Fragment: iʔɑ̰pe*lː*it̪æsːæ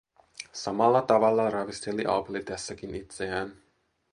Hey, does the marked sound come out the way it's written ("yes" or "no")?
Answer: no